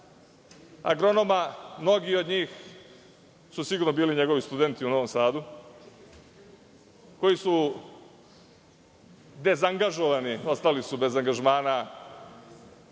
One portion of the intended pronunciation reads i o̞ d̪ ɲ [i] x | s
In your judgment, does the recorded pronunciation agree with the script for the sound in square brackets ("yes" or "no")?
no